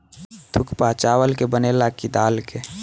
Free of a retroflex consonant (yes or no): yes